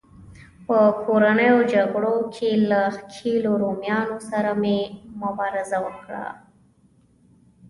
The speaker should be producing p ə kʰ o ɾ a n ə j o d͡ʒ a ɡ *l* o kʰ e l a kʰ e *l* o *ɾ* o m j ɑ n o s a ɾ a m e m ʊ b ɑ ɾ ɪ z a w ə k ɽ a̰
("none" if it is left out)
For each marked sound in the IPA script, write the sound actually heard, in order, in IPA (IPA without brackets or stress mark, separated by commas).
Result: ɽ, l, ɾ